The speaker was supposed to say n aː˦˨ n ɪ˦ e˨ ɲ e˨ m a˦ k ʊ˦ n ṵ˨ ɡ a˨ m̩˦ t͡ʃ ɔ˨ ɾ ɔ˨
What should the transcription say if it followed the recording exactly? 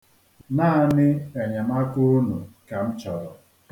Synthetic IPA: n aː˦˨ n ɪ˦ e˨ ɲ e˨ m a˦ k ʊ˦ n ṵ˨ k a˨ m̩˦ t͡ʃ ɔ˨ ɾ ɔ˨